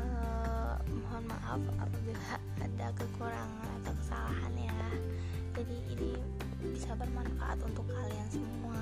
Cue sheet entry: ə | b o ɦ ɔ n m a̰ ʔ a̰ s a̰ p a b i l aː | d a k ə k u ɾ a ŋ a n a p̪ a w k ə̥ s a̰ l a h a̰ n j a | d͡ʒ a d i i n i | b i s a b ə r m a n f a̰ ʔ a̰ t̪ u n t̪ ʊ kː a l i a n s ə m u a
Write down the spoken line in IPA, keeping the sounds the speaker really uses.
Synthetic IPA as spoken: ə | m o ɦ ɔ n m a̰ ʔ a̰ f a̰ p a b i l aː | d a k ə k u ɾ a ŋ a n a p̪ a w k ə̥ s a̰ l a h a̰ n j a | d͡ʒ a d i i n i | b i s a b ə r m a n f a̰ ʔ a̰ t̪ u n t̪ ʊ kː a l i a n s ə m u a